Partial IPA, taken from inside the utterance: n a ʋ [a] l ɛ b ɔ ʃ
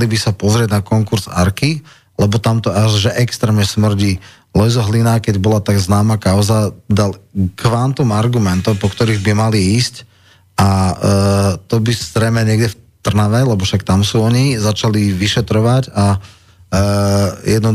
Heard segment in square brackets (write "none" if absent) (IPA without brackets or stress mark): ɛ